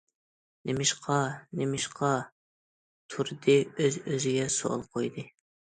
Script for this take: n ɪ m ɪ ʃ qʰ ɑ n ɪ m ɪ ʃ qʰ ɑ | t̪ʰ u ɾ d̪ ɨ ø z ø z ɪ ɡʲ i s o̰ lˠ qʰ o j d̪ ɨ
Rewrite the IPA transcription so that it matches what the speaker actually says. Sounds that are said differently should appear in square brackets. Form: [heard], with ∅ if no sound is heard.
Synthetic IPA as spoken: n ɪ m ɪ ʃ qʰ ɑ n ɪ m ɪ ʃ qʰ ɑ | t̪ʰ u ɾ d̪ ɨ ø z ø z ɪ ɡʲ [ɛ] s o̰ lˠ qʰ o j d̪ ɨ

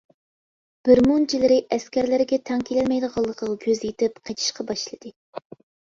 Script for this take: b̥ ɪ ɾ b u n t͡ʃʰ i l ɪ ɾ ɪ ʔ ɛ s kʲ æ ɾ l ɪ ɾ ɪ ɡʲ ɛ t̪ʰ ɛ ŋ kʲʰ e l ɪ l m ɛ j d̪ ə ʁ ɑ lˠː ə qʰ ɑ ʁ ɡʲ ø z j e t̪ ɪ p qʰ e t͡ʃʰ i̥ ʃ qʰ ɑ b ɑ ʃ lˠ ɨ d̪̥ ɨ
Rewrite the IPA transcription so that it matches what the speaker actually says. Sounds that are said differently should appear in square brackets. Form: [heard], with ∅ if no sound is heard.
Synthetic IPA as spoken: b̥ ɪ ɾ [m] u n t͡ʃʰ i l ɪ ɾ ɪ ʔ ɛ s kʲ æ ɾ l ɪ ɾ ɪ ɡʲ ɛ t̪ʰ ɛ ŋ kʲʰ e l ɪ l m ɛ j d̪ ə ʁ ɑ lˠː ə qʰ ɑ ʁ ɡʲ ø z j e t̪ ɪ p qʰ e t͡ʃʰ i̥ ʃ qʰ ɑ b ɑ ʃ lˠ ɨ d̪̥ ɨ

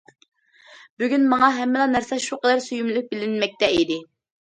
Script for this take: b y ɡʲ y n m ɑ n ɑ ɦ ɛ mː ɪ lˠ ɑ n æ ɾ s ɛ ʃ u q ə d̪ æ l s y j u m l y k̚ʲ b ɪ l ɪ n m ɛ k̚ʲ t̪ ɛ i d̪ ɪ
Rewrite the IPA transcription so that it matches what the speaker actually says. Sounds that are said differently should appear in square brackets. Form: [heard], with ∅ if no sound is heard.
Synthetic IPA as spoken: b y ɡʲ y n m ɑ [ŋ] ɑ ɦ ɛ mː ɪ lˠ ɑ n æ ɾ s ɛ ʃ u q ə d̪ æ [ɾ] s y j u m l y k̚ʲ b ɪ l ɪ n m ɛ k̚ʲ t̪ ɛ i d̪ ɪ

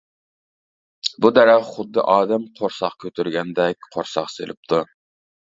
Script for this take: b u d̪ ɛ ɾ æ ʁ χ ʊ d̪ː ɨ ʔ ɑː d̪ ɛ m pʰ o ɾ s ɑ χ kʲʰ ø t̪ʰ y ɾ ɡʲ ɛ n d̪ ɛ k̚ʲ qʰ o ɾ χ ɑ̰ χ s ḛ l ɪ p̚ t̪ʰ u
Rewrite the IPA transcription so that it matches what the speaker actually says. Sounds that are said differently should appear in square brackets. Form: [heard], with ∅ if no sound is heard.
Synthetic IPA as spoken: b u d̪ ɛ ɾ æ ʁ χ ʊ d̪ː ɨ ʔ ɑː d̪ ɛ m [qʰ] o ɾ s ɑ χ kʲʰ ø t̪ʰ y ɾ ɡʲ ɛ n d̪ ɛ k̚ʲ qʰ o ɾ [s] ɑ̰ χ s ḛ l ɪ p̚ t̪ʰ u

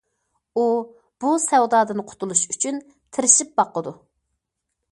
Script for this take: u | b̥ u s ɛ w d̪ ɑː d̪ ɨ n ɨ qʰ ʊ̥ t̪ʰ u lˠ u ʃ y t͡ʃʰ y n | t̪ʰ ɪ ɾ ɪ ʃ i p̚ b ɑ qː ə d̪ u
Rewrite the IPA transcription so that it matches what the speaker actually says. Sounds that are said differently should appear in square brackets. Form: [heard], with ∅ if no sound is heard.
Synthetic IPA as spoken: u | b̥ u s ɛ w d̪ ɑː d̪ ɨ n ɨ qʰ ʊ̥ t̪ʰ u lˠ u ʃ y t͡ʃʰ y n | t̪ʰ ɪ ɾ ɪ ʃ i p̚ b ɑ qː ə d̪ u

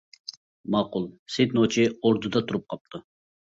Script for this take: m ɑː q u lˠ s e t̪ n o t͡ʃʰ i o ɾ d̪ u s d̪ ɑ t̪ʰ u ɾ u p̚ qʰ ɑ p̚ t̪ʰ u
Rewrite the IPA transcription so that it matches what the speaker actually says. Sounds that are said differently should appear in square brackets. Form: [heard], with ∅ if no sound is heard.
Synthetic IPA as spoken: m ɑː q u lˠ s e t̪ n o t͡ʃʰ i o ɾ d̪ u [∅] d̪ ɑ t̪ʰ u ɾ u p̚ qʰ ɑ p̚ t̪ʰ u

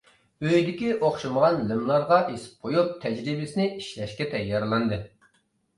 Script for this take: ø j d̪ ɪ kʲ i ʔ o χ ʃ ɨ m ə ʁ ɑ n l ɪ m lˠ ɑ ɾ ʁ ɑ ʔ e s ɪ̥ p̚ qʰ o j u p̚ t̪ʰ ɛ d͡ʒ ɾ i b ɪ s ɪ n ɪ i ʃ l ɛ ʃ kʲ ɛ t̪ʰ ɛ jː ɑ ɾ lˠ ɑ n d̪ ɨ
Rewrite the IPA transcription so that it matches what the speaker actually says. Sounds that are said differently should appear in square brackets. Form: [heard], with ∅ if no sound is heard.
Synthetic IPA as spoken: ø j d̪ ɪ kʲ i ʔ o χ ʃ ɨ m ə ʁ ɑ n l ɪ m lˠ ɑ ɾ ʁ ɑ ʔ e s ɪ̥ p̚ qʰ o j u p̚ t̪ʰ ɛ d͡ʒ ɾ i b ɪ s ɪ n ɪ i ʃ l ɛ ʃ kʲ ɛ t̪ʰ ɛ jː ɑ ɾ lˠ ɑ n d̪ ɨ

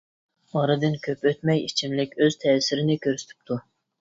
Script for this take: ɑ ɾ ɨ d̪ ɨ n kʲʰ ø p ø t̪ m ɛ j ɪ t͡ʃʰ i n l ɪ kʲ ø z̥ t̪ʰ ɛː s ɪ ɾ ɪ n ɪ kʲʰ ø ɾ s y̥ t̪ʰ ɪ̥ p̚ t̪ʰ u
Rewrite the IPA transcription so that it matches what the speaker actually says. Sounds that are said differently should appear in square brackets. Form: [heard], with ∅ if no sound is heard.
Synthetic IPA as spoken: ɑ ɾ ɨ d̪ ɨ n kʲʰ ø p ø t̪ m ɛ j [i] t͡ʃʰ i [m] l ɪ kʲ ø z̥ t̪ʰ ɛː s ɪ ɾ ɪ n ɪ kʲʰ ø ɾ s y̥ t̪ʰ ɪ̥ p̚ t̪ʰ u

